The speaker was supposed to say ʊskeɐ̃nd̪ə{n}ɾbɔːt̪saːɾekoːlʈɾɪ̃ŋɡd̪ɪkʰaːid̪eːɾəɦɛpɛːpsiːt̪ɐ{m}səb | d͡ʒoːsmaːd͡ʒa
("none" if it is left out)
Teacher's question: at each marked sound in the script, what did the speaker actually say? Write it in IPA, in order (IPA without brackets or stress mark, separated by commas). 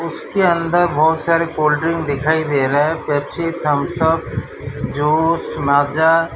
none, m